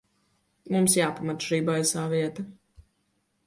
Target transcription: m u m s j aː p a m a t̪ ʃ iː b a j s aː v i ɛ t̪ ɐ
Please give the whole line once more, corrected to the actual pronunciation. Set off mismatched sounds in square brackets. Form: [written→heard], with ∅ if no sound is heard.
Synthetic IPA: m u m s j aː p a m a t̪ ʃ iː b a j s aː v i ɛ t̪ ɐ

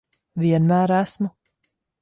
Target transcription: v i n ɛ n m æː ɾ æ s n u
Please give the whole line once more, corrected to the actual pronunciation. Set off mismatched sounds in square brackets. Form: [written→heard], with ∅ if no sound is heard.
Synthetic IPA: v i [n→∅] ɛ n m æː ɾ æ s [n→m] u

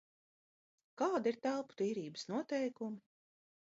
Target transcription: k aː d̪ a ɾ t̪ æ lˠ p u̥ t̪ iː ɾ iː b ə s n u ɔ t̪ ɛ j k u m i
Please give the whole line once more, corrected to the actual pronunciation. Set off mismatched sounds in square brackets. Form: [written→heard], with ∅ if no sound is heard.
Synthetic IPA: k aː d̪ [a→i] ɾ t̪ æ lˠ p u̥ t̪ iː ɾ iː b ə s n u ɔ t̪ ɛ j k u m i

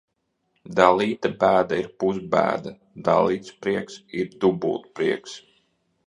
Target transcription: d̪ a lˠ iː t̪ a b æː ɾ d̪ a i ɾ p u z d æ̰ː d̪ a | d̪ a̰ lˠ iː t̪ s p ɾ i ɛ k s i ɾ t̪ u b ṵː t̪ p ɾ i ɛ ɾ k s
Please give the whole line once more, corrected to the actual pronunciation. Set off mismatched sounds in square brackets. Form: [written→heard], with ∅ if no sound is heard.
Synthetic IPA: d̪ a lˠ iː t̪ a b æː [ɾ→∅] d̪ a i ɾ p u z [d→b] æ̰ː d̪ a | d̪ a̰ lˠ iː t̪ s p ɾ i ɛ k s i ɾ [t̪→d̪] u b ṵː t̪ p ɾ i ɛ [ɾ→∅] k s

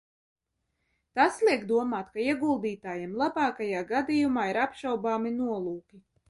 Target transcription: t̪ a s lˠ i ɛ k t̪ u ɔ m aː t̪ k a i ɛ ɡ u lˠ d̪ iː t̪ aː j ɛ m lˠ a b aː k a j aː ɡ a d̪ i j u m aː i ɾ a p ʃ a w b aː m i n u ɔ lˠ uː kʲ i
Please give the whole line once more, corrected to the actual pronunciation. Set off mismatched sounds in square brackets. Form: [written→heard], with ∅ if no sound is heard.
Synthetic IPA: t̪ a s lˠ i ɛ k [t̪→d̪] u ɔ m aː t̪ k a i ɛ ɡ u lˠ d̪ iː t̪ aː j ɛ m lˠ a b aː k a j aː ɡ a d̪ i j u m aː i ɾ a p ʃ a w b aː m i n u ɔ lˠ uː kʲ i

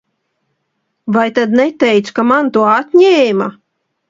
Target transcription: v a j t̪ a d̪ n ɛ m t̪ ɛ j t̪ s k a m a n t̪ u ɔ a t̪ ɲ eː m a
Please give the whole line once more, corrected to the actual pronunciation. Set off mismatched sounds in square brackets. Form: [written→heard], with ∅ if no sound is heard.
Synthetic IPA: v a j t̪ a d̪ n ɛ [m→∅] t̪ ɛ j t̪ s k a m a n t̪ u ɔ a t̪ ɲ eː m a

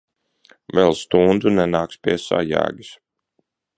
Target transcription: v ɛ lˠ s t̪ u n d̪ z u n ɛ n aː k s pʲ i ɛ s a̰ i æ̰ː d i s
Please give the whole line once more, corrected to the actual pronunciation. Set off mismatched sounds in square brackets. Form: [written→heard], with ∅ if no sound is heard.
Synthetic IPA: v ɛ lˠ s t̪ u n d̪ z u n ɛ n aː k s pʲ i ɛ s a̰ [i→j] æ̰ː [d→ɡ] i s

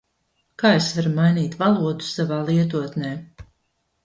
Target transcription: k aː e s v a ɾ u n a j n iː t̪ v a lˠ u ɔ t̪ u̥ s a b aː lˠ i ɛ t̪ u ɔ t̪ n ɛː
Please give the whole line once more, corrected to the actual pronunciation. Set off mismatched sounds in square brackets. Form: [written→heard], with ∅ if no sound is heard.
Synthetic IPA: k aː e s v a ɾ u [n→m] a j n iː t̪ v a lˠ u ɔ [t̪→d̪] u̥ s a [b→v] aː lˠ i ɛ t̪ u ɔ t̪ n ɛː

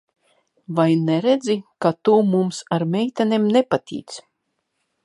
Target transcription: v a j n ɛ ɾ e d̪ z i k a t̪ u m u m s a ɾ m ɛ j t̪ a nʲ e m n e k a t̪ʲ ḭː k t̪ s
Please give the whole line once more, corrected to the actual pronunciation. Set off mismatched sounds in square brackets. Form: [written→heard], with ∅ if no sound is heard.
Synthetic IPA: v a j n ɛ ɾ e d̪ z i k a t̪ u m u m s a ɾ m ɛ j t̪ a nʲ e m n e [k→p] a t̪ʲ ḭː [k→∅] t̪ s

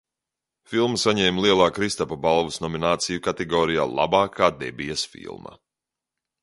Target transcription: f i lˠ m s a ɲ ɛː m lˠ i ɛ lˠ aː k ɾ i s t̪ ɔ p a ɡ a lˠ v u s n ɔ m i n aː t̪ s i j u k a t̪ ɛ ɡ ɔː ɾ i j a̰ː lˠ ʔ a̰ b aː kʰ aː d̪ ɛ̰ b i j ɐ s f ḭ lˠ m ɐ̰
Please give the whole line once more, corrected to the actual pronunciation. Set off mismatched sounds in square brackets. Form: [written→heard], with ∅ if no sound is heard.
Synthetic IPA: f i lˠ m s a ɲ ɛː m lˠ i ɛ lˠ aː k ɾ i s t̪ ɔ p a [ɡ→b] a lˠ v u s n ɔ m i n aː t̪ s i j u k a t̪ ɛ ɡ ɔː ɾ i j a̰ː lˠ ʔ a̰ b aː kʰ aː d̪ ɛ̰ b i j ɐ s f ḭ lˠ m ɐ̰

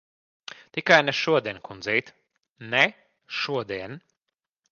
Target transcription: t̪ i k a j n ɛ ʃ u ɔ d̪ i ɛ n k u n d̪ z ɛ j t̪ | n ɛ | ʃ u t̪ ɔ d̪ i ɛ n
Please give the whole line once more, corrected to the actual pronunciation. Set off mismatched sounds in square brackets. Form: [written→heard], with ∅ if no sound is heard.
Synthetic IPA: t̪ i k a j n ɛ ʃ u ɔ d̪ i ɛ n k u n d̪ z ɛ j t̪ | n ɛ | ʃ u [t̪→∅] ɔ d̪ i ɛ n

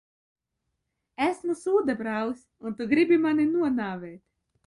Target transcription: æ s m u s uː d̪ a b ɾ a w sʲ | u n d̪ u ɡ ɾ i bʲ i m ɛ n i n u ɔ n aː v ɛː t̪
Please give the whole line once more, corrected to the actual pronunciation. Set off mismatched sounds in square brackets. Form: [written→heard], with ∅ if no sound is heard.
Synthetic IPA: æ s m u s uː d̪ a b ɾ a w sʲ | u n [d̪→t̪] u ɡ ɾ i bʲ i m [ɛ→a] n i n u ɔ n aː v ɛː t̪

